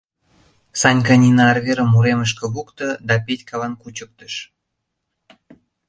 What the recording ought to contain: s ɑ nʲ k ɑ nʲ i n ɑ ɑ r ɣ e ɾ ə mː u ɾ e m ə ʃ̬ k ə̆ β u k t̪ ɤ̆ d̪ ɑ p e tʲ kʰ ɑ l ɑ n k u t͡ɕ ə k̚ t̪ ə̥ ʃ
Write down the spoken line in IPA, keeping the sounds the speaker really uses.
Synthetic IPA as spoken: s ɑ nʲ k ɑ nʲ i n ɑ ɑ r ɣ e ɾ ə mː u ɾ e m ə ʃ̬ k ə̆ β u k t̪ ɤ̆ d̪ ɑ p e tʲ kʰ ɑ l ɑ n k u t͡ɕ ə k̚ t̪ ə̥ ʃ